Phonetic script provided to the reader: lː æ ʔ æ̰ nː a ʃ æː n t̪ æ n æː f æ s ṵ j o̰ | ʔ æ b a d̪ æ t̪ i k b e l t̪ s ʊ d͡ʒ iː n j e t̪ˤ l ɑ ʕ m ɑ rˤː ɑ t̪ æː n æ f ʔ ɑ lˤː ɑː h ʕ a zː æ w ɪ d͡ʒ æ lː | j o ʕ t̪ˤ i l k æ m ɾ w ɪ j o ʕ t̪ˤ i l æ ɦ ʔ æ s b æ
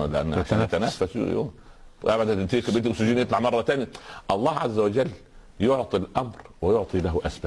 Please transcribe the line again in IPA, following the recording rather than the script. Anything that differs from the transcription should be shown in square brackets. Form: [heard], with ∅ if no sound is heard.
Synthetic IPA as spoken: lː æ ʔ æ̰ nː a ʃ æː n t̪ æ n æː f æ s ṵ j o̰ | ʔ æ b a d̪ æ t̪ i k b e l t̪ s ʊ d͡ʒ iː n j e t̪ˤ l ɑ ʕ m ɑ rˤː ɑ t̪ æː n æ [∅] ʔ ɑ lˤː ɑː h ʕ a zː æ w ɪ d͡ʒ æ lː | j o ʕ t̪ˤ i l [ʔ] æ m ɾ w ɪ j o ʕ t̪ˤ i l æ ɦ ʔ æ s b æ